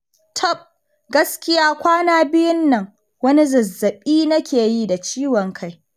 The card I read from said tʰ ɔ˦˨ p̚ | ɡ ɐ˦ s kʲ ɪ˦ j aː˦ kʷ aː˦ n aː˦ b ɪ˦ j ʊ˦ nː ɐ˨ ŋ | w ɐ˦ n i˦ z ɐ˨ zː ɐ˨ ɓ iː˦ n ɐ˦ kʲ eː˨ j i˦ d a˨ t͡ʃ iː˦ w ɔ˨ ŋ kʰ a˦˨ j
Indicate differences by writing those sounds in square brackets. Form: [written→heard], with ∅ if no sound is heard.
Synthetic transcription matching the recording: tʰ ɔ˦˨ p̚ | ɡ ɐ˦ s kʲ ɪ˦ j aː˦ kʷ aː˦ n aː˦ b ɪ˦ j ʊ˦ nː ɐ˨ ŋ | w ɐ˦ n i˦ z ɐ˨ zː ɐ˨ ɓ iː˦ n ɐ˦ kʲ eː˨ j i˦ d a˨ t͡ʃ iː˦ w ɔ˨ ŋ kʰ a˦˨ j